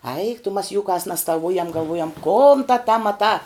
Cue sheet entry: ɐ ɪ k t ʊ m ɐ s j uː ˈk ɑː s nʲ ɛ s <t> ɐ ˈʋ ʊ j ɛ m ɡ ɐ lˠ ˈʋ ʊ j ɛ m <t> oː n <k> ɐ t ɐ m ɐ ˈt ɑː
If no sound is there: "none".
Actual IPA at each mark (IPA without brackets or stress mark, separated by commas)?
t, k, t